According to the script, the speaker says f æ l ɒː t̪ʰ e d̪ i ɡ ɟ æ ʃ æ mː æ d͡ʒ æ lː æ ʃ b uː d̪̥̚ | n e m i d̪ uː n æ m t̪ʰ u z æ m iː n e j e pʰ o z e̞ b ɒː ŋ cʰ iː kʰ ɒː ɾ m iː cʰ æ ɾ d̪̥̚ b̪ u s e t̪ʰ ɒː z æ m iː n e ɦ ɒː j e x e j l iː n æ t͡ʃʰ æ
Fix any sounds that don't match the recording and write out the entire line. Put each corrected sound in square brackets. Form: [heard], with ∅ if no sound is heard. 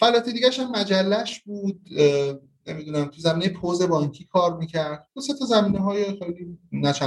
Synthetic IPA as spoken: f æ l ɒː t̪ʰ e d̪ i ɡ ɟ æ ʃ æ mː æ d͡ʒ æ lː æ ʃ b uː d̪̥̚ | n e m i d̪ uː n æ m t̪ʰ u z æ m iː n e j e pʰ o z e̞ b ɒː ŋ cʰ iː kʰ ɒː ɾ m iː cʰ æ ɾ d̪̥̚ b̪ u s e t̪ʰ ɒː z æ m iː n e ɦ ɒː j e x e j l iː n æ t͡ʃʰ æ